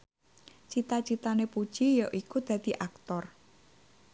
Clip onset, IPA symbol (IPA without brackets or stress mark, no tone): t͡ʃ